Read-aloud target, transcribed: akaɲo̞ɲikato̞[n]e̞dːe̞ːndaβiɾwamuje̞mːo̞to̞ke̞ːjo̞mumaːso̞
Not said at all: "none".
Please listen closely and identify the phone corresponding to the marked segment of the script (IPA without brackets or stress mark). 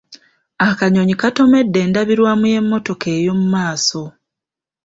m